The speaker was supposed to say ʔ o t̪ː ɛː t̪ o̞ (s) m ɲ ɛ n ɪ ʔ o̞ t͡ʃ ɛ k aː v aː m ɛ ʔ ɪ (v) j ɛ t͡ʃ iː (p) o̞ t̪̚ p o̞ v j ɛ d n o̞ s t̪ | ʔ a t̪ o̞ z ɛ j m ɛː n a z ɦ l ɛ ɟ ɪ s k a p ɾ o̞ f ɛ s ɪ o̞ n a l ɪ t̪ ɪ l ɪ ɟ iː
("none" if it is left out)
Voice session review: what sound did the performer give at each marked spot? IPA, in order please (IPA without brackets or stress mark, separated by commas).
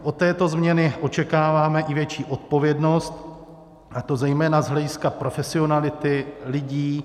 z, v, ʔ